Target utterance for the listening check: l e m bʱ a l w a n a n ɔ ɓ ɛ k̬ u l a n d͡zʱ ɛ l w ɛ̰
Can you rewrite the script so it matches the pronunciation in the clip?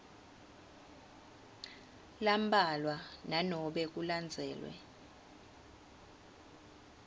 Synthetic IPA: l a m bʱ a l w a n a n ɔ ɓ ɛ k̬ u l a n d͡zʱ ɛː l w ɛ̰